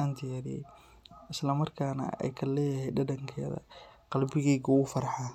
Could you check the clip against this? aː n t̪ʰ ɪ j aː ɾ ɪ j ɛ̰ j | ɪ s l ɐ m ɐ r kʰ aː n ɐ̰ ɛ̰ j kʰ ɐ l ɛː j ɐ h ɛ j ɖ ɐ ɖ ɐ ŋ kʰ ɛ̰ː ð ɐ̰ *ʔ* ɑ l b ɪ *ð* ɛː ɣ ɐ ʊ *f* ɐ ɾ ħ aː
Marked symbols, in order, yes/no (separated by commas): no, no, yes